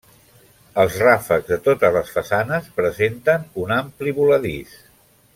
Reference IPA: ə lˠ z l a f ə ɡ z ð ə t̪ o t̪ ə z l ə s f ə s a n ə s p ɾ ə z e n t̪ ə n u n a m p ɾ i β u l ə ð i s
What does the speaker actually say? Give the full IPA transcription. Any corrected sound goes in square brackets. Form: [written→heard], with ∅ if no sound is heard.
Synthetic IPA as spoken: ə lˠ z [l→r] a f ə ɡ z ð ə t̪ o t̪ ə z l ə s f ə s a n ə s p ɾ ə z e n t̪ ə n u n a m p [ɾ→l] i β u l ə ð i s